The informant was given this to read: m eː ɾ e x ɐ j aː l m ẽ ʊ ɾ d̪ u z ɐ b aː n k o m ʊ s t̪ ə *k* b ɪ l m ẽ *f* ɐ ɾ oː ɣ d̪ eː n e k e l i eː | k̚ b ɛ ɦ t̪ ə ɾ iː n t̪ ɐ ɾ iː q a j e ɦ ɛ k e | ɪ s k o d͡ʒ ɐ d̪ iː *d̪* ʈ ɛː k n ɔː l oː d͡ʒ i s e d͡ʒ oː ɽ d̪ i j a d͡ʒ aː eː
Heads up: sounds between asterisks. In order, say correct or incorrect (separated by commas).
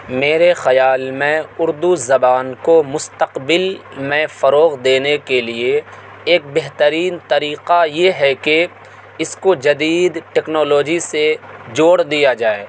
incorrect, correct, correct